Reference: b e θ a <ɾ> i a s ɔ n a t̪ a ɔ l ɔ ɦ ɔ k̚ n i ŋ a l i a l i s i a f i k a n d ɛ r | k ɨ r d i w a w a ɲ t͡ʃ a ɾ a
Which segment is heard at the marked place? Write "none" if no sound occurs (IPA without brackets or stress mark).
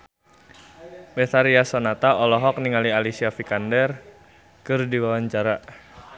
ɾ